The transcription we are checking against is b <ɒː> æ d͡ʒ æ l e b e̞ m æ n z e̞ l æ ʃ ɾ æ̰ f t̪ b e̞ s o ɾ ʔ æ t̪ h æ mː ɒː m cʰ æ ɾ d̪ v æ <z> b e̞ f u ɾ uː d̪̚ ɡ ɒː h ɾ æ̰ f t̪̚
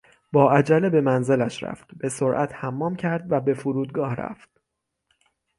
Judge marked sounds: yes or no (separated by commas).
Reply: yes, no